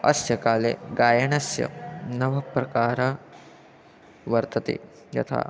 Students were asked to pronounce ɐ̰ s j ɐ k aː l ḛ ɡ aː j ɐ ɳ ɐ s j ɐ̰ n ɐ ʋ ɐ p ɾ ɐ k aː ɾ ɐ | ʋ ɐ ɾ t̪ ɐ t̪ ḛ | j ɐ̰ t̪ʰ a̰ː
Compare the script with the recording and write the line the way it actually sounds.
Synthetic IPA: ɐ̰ s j ɐ k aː l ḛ ɡ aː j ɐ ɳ ɐ s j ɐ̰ n ɐ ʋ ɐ p ɾ ɐ k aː ɾ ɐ | ʋ ɐ ɾ t̪ ɐ t̪ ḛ | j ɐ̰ t̪ʰ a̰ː